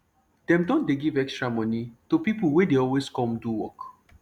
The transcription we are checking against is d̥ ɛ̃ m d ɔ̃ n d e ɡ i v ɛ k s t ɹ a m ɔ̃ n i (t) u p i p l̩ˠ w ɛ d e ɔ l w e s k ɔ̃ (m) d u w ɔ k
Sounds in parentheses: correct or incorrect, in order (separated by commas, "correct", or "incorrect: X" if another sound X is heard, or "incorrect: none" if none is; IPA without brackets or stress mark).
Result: correct, correct